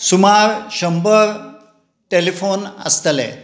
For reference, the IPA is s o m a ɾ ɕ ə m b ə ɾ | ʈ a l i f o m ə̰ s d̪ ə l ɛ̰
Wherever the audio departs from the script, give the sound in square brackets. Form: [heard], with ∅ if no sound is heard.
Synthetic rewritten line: s [u] m a ɾ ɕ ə m b ə ɾ | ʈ [e] l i f o [n] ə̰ s [t̪] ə l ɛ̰